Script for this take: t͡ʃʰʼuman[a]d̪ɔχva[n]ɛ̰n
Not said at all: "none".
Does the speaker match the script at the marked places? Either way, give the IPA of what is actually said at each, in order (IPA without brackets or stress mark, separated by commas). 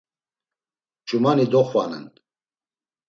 i, n